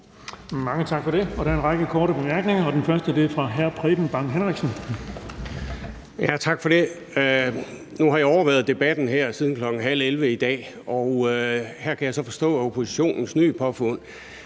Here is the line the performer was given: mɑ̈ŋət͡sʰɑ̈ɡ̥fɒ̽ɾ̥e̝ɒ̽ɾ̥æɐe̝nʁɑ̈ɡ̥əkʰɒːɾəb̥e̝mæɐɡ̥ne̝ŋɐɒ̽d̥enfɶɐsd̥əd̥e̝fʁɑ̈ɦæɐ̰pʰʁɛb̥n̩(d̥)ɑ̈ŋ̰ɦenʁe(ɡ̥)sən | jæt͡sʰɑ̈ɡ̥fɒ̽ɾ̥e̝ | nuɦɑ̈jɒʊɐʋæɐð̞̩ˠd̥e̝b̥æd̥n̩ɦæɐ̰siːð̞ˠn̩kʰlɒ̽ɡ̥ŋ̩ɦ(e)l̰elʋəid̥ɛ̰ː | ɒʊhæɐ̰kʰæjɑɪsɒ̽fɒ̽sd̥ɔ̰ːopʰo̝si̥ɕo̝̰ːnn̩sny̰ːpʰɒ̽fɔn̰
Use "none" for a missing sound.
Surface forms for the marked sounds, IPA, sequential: b̥, ɡ̥, æ

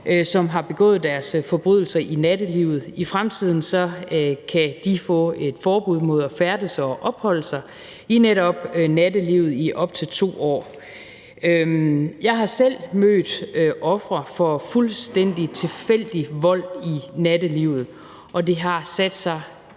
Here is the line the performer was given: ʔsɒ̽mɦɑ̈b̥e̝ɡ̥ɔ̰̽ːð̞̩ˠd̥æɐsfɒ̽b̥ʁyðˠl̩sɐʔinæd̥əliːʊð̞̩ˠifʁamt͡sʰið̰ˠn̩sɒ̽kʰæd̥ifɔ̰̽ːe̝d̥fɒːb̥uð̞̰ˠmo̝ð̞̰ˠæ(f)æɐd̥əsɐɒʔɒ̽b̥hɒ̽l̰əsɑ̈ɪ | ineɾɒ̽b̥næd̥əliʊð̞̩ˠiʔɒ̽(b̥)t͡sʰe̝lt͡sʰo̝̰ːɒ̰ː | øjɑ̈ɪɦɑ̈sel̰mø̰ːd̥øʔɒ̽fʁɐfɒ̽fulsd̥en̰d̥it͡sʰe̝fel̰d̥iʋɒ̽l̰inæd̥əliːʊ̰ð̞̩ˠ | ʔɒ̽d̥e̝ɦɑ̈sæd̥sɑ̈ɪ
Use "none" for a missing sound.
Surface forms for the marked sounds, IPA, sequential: f, b̥

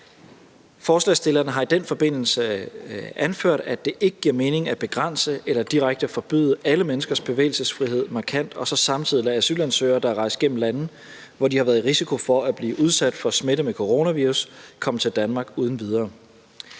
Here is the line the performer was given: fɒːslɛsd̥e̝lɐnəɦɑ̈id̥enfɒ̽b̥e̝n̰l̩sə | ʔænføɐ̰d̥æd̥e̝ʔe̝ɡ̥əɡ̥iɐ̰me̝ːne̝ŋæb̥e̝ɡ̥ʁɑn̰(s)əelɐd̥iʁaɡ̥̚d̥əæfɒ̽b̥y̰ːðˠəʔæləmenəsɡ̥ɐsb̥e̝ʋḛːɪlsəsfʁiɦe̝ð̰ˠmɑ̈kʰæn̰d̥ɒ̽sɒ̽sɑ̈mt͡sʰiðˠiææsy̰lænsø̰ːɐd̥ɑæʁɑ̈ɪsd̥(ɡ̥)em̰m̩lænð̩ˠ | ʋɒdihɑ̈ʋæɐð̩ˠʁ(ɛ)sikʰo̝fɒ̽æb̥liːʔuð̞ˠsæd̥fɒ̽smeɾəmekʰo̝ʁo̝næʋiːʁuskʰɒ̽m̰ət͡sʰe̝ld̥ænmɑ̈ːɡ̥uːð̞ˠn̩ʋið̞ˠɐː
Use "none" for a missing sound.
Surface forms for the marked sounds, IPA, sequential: s, ɡ̥, i

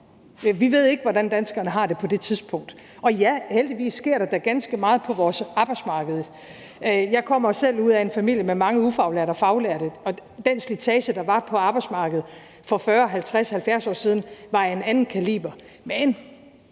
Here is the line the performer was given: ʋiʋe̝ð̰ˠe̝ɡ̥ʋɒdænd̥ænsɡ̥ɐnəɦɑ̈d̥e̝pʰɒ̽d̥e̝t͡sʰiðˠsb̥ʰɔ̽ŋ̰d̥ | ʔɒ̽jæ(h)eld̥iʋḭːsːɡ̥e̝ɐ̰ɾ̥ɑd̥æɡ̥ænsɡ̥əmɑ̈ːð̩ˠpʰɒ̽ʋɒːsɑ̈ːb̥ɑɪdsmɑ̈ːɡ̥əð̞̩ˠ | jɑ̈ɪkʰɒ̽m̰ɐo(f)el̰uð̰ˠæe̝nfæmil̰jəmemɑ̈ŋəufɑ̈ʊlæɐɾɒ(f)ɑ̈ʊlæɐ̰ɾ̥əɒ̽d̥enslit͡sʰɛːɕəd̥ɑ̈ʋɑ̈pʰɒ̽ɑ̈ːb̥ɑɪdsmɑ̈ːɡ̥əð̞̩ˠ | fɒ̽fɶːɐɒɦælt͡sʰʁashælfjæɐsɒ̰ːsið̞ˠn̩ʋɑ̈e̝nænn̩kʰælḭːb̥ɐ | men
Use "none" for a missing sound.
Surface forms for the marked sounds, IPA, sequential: h, s, f

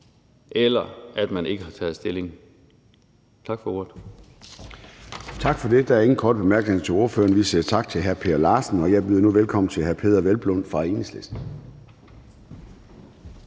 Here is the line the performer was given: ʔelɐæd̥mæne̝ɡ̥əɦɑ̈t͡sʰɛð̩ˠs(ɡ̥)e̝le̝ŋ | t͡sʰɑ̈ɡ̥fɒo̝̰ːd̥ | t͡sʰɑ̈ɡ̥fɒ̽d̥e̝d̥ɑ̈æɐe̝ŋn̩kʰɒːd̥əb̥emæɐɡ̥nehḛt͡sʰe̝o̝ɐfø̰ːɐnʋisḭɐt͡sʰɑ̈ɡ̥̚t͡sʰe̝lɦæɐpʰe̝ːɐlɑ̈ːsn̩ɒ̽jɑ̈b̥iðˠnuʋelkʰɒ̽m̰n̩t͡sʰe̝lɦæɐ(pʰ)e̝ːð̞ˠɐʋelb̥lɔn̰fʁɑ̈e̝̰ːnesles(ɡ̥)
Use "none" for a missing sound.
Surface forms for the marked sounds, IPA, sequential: d̥, pʰ, d̥

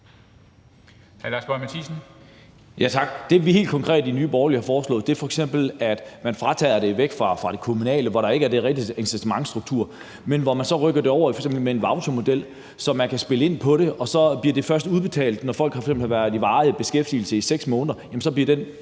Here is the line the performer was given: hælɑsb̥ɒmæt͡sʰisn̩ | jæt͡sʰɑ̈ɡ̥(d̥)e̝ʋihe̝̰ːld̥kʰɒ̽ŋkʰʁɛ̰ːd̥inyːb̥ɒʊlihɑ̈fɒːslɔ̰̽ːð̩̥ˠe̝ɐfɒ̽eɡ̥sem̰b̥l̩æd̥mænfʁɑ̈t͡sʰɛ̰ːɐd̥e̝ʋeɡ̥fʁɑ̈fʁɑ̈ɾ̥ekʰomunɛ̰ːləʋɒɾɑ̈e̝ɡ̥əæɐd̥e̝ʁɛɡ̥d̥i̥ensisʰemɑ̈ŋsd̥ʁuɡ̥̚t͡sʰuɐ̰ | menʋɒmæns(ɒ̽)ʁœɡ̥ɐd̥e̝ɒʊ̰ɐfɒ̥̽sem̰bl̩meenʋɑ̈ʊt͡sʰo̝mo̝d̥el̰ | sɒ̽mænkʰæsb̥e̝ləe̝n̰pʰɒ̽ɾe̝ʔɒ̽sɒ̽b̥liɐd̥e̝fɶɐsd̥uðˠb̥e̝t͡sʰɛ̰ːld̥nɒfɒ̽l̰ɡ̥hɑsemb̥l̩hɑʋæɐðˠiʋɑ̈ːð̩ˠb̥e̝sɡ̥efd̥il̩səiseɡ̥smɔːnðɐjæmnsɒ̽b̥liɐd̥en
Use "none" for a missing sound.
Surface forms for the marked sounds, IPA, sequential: d̥, ɒ̽

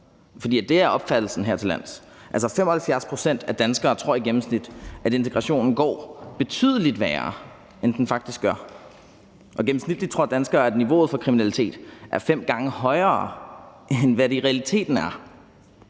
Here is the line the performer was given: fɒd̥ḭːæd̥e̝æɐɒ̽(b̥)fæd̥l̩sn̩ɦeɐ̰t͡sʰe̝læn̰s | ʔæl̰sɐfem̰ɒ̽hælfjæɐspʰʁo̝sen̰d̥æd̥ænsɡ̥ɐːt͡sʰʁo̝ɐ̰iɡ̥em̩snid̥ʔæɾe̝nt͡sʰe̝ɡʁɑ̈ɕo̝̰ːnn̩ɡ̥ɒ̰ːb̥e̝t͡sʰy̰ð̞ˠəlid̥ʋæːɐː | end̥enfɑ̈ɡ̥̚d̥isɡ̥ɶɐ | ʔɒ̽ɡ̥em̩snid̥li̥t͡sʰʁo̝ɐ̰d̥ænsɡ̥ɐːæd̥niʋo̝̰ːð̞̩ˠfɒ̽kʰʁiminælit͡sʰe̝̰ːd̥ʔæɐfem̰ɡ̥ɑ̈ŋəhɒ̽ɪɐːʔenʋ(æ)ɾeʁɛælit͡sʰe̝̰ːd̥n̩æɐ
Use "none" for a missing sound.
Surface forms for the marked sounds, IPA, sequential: b̥, æ

